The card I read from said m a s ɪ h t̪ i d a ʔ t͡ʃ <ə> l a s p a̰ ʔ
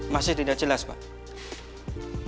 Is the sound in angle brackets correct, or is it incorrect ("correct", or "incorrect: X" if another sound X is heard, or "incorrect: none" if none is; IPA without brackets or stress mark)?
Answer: correct